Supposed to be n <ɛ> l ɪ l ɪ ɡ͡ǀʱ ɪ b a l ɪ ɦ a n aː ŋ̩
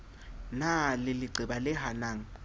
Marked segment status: incorrect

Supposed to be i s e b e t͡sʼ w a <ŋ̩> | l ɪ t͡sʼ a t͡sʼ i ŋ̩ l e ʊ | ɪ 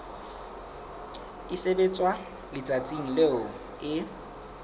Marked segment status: incorrect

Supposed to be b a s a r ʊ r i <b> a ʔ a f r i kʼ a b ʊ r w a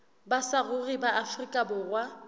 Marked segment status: correct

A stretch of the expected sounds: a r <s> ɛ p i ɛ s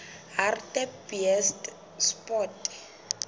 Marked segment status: incorrect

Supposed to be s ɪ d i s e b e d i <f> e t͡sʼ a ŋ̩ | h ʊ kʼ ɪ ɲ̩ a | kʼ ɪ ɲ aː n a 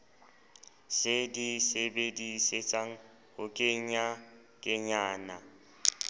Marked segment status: incorrect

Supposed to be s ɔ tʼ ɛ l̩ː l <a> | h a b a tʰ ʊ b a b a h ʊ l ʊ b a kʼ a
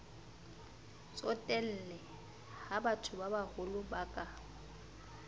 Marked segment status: incorrect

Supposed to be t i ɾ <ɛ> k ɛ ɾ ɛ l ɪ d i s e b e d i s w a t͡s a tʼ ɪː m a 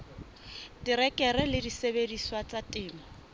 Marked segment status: correct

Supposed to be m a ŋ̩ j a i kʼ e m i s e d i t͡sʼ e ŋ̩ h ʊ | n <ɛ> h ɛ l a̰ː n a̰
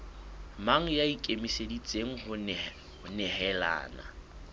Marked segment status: correct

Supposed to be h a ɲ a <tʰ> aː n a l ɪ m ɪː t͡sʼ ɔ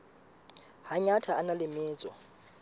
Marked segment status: correct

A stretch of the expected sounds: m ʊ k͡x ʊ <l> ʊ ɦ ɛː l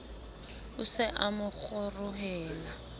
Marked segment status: incorrect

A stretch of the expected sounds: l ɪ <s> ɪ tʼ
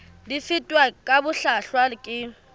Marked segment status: incorrect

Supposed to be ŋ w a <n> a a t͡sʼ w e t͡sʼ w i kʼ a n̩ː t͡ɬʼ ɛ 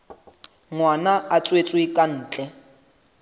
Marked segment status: correct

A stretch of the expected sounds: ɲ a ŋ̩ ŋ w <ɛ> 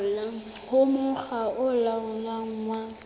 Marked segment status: incorrect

